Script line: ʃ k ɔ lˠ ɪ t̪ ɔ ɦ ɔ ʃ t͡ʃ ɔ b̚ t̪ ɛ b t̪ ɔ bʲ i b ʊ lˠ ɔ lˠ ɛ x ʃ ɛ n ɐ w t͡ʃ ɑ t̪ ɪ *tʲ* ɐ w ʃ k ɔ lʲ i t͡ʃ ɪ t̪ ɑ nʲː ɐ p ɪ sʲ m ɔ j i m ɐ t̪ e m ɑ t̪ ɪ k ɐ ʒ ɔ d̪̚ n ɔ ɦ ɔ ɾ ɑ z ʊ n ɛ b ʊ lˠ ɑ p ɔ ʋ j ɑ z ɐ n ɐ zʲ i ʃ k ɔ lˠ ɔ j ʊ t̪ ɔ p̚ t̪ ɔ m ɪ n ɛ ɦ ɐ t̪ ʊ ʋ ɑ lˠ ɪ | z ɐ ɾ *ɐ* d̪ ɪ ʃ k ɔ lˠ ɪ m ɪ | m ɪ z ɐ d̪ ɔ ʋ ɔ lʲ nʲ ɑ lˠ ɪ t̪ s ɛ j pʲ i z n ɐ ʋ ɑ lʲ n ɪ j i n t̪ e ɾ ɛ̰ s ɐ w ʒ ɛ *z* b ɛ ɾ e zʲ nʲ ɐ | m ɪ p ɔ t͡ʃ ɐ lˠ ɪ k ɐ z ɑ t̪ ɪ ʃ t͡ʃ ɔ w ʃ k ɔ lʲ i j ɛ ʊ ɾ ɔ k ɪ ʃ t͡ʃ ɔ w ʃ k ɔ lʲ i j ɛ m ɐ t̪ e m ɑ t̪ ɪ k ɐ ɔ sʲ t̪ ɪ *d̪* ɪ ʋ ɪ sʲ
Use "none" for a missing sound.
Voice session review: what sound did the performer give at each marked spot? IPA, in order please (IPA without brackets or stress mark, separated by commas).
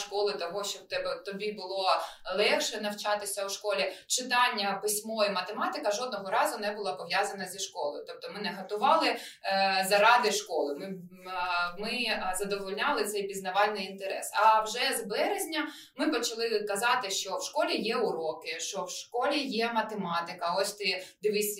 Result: sʲ, ɑ, z, d̪